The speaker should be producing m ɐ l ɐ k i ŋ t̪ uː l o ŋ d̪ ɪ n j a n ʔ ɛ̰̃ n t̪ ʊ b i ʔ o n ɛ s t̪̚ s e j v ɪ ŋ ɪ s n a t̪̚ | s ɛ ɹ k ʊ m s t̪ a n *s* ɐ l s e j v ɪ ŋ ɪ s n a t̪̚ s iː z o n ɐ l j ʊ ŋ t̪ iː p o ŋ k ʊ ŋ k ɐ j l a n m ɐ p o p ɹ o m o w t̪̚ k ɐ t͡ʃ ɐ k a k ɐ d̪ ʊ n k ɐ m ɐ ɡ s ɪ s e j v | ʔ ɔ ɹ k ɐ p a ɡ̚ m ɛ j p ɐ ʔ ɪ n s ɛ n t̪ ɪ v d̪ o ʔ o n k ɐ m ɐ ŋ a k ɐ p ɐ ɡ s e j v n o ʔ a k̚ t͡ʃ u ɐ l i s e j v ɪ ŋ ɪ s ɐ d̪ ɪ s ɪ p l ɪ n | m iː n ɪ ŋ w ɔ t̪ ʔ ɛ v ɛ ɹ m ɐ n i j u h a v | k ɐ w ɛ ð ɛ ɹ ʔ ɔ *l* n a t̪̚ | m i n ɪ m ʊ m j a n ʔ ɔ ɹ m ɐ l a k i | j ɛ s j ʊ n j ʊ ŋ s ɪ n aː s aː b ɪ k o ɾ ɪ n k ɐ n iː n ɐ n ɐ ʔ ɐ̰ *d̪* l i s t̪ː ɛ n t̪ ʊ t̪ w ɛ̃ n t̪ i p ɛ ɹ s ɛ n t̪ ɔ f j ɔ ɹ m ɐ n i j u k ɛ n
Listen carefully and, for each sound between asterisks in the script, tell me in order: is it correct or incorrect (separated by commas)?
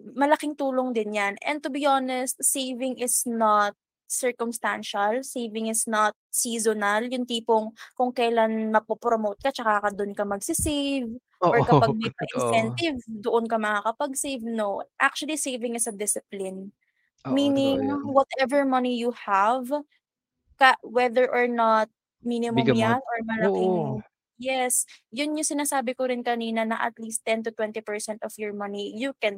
incorrect, incorrect, incorrect